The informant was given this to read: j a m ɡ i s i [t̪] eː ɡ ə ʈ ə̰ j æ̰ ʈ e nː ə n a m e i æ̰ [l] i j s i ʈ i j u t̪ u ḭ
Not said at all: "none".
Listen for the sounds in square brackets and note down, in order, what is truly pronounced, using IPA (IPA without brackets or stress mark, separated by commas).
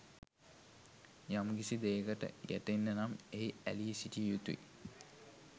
d̪, l